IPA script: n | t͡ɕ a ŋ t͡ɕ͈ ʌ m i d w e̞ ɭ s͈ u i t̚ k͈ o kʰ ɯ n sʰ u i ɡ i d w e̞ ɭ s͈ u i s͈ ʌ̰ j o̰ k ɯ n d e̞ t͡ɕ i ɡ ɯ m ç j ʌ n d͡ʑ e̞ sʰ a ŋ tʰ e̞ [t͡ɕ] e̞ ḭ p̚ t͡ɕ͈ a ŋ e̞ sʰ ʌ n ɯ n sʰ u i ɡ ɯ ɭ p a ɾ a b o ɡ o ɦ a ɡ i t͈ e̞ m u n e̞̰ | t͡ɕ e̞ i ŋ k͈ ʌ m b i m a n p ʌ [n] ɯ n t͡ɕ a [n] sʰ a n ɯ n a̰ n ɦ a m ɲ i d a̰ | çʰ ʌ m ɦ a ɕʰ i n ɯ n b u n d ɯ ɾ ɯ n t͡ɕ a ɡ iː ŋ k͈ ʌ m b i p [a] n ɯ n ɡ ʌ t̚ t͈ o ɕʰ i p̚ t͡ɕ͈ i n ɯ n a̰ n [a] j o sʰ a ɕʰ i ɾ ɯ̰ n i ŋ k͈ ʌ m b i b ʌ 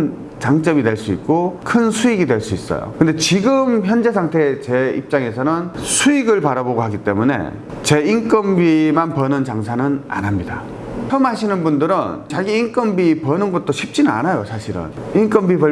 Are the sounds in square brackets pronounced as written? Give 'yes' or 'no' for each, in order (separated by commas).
yes, yes, no, no, yes